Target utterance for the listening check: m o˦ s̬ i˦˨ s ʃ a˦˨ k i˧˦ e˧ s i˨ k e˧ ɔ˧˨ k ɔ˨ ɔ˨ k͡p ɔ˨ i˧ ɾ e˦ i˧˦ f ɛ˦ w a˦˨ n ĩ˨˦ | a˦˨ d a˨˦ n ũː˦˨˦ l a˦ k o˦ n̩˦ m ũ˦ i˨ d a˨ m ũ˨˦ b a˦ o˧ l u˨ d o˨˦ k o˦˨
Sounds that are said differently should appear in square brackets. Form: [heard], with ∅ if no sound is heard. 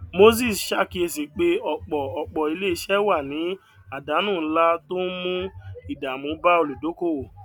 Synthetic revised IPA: m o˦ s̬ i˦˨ s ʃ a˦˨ k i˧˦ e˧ s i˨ [k͡p] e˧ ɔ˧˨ [k͡p] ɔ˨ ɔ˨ k͡p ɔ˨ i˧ [l] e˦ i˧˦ [ʃ] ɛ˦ w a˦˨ n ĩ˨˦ | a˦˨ d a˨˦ n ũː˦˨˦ l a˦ [t] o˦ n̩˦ m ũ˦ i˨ d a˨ m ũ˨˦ b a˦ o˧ l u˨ d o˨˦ k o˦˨

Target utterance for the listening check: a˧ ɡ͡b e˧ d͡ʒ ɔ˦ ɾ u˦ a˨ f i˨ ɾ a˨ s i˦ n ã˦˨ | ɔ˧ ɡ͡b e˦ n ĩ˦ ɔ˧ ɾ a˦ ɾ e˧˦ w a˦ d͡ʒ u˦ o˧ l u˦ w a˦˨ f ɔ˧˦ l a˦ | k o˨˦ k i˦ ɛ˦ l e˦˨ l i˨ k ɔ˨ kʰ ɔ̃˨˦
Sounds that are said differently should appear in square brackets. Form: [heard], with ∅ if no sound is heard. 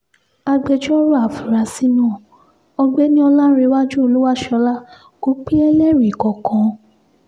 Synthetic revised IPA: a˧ ɡ͡b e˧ d͡ʒ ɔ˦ ɾ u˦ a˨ f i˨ ɾ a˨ s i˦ n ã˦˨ | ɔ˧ ɡ͡b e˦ n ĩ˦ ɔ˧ [l] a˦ ɾ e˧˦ w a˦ d͡ʒ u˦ o˧ l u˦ w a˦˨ [ʃ] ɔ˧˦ l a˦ | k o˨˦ [k͡p] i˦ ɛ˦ l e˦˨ [ɾ] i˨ k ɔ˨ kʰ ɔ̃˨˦

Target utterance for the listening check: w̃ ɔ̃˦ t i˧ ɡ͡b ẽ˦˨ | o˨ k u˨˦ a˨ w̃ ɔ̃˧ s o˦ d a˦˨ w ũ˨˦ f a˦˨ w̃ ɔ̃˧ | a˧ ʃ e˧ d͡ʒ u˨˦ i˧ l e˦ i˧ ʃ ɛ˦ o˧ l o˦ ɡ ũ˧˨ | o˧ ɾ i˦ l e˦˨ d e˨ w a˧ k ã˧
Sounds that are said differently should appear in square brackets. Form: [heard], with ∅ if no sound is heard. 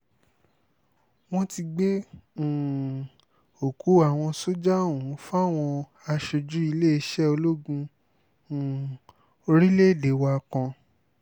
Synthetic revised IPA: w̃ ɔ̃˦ t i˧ ɡ͡b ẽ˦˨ | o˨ k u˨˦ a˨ w̃ ɔ̃˧ s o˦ [d͡ʒ] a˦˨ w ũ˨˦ f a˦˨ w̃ ɔ̃˧ | a˧ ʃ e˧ d͡ʒ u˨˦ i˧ l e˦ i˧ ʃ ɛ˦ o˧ l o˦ ɡ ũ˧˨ | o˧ ɾ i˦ l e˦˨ d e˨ w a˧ k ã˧

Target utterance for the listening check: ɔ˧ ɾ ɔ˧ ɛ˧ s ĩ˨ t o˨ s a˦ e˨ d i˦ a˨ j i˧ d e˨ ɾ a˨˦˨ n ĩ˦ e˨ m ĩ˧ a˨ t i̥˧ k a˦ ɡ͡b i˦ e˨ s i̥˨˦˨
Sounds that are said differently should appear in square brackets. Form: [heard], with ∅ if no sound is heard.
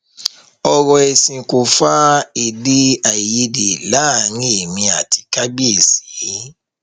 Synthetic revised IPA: ɔ˧ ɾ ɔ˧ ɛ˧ s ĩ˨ [k] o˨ [f] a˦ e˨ d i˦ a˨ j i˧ d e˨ [l] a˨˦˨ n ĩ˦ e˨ m ĩ˧ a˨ t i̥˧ k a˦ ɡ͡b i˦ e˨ s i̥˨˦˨

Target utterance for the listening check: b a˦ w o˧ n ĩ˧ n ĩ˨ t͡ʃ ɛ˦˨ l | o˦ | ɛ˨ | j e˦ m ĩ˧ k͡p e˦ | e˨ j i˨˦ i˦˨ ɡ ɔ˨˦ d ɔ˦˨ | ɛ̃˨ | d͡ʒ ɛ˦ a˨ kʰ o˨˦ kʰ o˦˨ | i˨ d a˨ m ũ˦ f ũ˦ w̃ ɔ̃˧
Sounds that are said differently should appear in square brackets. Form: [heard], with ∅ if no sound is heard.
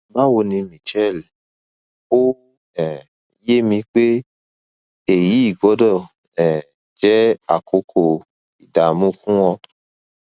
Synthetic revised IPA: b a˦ w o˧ n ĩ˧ [m] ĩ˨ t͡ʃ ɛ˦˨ l | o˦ | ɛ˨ | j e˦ m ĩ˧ k͡p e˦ | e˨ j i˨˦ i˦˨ ɡ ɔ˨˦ d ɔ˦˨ | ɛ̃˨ | d͡ʒ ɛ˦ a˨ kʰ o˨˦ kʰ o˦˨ | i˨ d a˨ m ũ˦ f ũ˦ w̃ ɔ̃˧

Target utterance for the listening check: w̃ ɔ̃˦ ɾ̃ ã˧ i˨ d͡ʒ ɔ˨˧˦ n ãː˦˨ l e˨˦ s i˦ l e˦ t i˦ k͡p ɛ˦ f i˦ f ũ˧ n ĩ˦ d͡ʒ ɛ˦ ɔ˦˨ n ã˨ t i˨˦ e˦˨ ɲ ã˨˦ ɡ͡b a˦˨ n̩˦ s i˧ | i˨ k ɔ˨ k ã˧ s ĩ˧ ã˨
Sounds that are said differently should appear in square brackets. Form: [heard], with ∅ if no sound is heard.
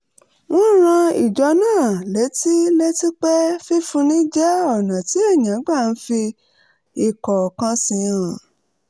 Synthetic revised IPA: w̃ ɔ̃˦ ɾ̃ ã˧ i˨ d͡ʒ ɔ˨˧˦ n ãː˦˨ l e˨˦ [t] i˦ l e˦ t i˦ k͡p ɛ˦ f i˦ f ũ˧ n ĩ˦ d͡ʒ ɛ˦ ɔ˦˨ n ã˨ t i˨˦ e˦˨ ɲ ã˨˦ ɡ͡b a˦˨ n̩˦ [f] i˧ | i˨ k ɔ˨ k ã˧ s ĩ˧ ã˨

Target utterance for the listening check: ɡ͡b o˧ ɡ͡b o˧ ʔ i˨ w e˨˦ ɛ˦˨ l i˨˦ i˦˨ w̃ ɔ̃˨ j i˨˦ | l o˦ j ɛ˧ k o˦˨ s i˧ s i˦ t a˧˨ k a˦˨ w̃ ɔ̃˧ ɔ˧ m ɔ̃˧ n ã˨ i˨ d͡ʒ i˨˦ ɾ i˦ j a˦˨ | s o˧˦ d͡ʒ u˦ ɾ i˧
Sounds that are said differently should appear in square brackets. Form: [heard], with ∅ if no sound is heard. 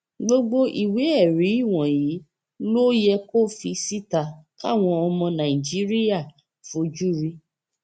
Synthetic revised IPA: ɡ͡b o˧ ɡ͡b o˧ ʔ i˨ w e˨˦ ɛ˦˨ [ɾ] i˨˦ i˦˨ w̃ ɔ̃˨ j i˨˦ | l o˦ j ɛ˧ k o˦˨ [f] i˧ s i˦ t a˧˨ k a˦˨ w̃ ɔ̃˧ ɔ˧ m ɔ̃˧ n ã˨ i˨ d͡ʒ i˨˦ ɾ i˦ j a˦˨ | [f] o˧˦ d͡ʒ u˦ ɾ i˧

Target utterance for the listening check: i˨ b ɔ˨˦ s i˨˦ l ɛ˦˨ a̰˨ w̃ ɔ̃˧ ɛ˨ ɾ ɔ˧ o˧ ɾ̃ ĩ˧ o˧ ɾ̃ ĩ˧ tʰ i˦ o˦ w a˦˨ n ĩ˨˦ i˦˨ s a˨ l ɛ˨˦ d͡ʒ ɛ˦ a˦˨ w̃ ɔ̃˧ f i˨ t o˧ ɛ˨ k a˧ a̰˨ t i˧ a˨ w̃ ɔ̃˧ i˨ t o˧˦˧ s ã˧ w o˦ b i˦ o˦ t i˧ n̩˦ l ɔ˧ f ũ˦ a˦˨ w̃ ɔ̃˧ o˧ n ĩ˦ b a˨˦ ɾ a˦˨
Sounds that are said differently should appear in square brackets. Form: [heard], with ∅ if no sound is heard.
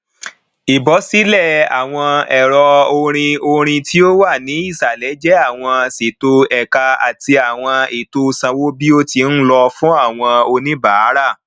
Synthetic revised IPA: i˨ b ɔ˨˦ s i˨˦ l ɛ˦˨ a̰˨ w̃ ɔ̃˧ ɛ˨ ɾ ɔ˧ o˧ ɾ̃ ĩ˧ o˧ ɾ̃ ĩ˧ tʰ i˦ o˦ w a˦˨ n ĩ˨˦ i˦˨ s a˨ l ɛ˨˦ d͡ʒ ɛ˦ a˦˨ w̃ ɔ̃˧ [s] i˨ t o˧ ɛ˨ k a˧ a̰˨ t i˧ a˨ w̃ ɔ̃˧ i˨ t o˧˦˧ s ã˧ w o˦ b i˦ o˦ t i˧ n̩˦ l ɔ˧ f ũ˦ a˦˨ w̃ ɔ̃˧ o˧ n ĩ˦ b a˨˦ ɾ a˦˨

